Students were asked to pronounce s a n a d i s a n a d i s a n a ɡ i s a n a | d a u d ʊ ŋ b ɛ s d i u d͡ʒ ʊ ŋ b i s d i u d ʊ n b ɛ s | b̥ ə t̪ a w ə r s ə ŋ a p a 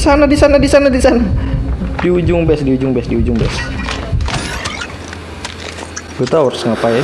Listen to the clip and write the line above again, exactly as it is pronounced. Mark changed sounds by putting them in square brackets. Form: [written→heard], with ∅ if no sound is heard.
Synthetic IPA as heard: s a n a d i s a n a d i s a n a [ɡ→d] i s a n a | d [a→i] u [d→d͡ʒ] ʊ ŋ b ɛ s d i u d͡ʒ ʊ ŋ b [i→ɛ] s d i u [d→d͡ʒ] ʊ [n→ŋ] b ɛ s | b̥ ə t̪ a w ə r s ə ŋ a p a